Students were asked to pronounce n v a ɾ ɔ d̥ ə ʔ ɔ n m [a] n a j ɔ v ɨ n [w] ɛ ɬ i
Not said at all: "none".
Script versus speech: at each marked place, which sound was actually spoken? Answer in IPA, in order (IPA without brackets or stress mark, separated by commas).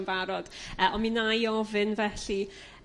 i, v